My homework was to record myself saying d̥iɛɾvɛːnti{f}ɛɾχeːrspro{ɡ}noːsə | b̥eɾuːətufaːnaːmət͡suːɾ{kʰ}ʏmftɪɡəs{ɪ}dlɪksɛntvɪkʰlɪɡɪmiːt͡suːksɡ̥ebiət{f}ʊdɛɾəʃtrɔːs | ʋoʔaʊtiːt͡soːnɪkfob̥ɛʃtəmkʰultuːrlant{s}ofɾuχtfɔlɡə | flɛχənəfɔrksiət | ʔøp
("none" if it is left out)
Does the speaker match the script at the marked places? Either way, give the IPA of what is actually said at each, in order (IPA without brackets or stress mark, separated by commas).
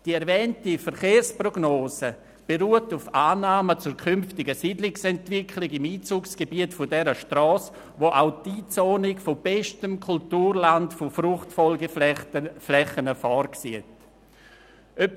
f, ɡ, kʰ, i, f, f